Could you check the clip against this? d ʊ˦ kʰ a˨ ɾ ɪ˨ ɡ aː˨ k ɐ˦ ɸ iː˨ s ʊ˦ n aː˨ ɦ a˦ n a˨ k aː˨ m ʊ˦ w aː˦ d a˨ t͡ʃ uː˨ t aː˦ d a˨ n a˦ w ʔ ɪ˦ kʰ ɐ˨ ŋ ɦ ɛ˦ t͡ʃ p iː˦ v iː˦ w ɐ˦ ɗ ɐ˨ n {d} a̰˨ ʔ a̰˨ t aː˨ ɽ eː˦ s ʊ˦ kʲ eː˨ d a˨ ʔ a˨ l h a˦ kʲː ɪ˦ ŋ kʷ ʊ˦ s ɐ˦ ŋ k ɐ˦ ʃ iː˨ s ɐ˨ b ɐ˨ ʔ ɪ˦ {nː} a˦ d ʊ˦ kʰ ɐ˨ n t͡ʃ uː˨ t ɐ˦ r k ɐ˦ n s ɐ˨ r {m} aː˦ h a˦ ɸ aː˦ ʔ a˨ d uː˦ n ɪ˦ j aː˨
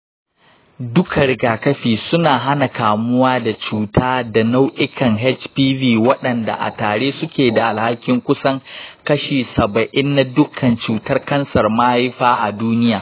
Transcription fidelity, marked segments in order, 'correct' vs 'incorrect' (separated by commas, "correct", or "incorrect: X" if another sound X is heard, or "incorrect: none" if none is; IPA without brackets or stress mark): correct, correct, correct